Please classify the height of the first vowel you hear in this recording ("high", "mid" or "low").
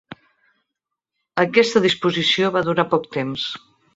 mid